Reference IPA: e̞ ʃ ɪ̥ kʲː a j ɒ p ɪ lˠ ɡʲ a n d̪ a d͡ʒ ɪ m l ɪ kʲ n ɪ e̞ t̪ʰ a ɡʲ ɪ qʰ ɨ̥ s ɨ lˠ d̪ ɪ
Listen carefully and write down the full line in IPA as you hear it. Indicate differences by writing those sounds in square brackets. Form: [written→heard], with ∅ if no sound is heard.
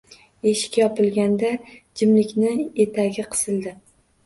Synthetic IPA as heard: e̞ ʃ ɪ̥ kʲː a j ɒ p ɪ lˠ ɡʲ a n d̪ a d͡ʒ ɪ m l ɪ kʲ n ɪ e̞ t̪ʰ a ɡʲ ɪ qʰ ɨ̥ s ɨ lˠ d̪ ɪ